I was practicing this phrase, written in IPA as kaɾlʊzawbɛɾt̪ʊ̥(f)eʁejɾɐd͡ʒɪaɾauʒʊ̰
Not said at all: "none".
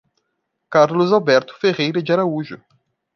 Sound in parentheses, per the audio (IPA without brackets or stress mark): f